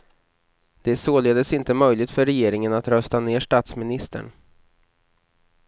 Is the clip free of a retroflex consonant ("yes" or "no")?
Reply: no